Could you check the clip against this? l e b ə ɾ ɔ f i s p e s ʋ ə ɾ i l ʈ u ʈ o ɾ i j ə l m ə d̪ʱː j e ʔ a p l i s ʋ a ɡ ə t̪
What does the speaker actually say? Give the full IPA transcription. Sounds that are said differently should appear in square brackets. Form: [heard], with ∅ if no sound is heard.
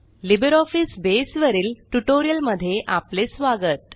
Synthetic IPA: l [i] b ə ɾ ɔ f i s [b] e s ʋ ə ɾ [iː] l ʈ u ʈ o ɾ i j ə l m ə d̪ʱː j e ʔ a p l [e] s ʋ a ɡ ə t̪